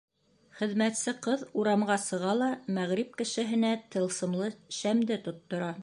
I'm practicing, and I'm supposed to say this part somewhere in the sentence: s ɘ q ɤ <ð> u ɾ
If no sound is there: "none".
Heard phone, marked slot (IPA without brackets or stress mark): ð